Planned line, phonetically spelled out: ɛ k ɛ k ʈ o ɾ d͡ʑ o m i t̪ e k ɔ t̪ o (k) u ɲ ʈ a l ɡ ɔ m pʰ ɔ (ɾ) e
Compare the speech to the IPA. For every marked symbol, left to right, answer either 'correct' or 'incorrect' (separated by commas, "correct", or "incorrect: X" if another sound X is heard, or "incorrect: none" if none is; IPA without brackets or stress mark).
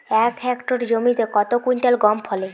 correct, incorrect: l